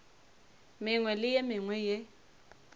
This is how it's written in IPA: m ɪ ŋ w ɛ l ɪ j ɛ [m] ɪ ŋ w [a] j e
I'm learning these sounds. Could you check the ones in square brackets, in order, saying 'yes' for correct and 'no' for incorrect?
yes, no

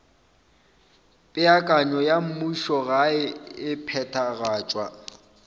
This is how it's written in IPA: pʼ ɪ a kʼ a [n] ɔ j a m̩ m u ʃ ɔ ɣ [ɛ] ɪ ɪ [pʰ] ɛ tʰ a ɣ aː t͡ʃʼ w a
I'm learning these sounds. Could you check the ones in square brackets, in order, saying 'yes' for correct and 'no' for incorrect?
no, no, yes

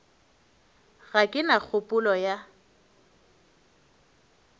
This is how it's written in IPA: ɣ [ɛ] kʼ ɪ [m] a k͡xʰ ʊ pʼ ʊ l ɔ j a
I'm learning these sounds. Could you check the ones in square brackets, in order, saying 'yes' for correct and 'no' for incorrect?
no, no

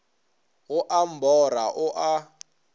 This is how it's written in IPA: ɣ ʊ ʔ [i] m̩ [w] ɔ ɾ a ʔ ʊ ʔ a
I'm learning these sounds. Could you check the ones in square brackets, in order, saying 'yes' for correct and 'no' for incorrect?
no, no

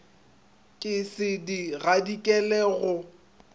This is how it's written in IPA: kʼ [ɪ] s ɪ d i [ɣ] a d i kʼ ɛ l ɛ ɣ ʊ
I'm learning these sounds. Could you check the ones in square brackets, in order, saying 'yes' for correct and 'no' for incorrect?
yes, yes

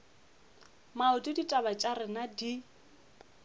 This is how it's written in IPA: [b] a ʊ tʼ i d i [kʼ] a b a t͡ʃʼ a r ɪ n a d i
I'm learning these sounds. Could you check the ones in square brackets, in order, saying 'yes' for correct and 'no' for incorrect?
no, no

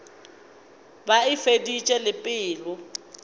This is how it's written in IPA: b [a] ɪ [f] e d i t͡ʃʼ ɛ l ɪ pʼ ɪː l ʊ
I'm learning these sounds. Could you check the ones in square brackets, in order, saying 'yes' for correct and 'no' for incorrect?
yes, yes

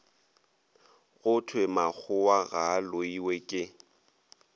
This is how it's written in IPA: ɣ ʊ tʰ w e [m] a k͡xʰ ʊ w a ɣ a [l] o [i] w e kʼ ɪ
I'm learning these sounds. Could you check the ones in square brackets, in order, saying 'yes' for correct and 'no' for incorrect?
yes, yes, yes

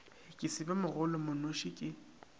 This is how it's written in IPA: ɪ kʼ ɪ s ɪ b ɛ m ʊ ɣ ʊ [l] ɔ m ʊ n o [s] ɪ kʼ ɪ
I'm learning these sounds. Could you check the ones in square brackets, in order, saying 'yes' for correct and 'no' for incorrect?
yes, no

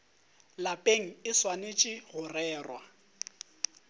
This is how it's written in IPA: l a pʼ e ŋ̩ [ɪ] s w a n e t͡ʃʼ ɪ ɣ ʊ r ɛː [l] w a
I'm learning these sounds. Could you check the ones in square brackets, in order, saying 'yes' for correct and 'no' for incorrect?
yes, no

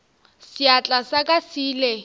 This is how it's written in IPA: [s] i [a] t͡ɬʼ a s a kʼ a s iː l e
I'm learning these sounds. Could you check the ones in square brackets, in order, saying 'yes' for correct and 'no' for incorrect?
yes, yes

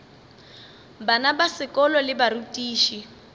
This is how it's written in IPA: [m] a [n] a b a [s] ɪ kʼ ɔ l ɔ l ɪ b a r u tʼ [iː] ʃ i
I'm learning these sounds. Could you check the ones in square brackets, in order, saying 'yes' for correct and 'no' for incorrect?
no, yes, yes, yes

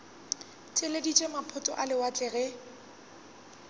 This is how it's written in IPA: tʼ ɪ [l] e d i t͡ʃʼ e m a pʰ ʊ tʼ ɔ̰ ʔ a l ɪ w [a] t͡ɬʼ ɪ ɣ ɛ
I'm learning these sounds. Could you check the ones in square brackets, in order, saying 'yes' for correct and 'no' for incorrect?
yes, yes

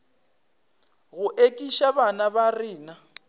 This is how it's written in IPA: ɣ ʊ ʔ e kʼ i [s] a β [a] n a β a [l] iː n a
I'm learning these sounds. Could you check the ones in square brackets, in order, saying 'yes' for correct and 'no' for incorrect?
no, yes, no

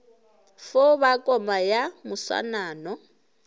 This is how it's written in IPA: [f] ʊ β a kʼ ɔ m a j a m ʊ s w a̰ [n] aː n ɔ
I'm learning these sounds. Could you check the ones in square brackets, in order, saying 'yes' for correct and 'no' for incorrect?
yes, yes

